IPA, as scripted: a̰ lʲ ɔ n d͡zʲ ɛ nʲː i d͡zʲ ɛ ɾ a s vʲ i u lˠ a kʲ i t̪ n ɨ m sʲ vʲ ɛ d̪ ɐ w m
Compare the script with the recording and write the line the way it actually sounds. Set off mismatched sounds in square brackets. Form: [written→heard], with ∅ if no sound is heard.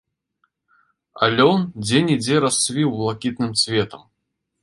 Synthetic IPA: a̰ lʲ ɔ n d͡zʲ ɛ [nʲː→nʲ] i d͡zʲ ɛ ɾ a s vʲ i [u→w] lˠ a kʲ i t̪ n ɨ m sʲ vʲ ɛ [d̪→t̪] ɐ [w→∅] m